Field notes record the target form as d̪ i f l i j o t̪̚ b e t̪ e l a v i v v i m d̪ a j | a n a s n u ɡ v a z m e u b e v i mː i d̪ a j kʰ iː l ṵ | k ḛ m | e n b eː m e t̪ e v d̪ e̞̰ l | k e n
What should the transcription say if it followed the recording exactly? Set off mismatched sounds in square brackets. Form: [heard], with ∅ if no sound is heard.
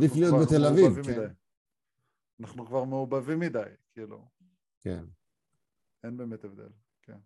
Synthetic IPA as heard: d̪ i f l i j o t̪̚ b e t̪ e l a v i v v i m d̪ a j | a n a [χ] n u [k] v a [ʁ] m e u b [a] v i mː i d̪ a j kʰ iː l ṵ | k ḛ [n] | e n b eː m e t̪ e v d̪ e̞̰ l | k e n